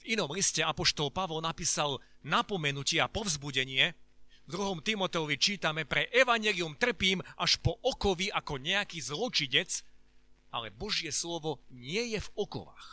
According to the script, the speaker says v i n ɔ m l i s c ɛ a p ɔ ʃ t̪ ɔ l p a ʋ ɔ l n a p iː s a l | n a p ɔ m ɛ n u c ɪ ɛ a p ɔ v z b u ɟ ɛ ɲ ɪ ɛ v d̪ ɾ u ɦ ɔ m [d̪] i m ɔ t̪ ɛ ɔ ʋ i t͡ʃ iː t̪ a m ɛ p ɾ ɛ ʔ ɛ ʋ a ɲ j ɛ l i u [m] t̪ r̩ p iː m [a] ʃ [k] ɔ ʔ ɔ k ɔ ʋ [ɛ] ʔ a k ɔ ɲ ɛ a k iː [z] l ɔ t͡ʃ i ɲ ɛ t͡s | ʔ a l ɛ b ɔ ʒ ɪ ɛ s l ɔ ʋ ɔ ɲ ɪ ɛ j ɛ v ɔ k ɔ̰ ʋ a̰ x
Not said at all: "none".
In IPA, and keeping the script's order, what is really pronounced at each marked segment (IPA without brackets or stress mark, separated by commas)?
t̪, m, a, p, i, z